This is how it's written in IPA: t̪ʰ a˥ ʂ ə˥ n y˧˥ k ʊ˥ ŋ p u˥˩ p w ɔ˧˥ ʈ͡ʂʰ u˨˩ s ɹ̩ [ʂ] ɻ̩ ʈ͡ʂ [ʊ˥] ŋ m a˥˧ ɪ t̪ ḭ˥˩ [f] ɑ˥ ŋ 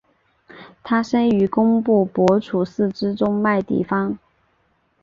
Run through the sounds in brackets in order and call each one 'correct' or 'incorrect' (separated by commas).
incorrect, correct, correct